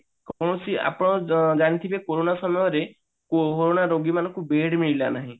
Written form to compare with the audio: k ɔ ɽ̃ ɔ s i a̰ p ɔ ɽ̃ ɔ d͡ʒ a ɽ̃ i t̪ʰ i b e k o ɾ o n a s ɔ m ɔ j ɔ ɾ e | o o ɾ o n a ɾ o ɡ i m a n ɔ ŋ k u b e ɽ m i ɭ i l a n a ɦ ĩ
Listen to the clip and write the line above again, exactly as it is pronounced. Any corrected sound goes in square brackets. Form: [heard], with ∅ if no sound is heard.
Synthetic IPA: k ɔ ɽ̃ ɔ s i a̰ p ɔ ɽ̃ ɔ d͡ʒ a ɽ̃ i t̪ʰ i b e k o ɾ o n a s ɔ m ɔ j ɔ ɾ e | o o ɾ o n a ɾ o ɡ i m a n ɔ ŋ k u b e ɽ m i ɭ i l a n a ɦ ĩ